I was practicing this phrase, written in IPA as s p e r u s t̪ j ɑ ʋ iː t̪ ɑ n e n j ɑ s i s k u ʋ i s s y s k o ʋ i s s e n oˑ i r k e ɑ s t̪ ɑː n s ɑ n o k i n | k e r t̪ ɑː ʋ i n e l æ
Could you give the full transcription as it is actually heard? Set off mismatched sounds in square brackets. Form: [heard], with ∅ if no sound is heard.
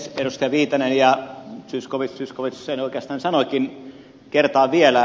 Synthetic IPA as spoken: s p e r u s t̪ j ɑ ʋ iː t̪ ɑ n e n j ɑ s [y] s k [o] ʋ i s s y s k o ʋ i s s e n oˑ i [∅] k e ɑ s t̪ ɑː n s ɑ n o k i n | k e r t̪ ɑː ʋ i [∅] e l æ